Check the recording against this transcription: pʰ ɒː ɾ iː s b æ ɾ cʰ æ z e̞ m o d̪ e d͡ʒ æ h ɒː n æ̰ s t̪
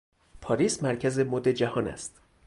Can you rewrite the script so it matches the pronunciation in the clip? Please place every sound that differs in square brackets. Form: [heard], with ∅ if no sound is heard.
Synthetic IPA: pʰ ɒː ɾ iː s [m] æ ɾ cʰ æ z e̞ m o d̪ e d͡ʒ æ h ɒː n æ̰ s t̪